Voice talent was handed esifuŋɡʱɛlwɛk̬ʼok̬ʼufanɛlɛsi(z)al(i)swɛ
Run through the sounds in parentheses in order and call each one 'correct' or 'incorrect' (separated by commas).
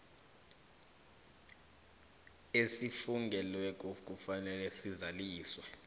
correct, incorrect